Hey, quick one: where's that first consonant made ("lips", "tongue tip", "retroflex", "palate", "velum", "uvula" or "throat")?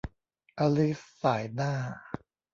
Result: throat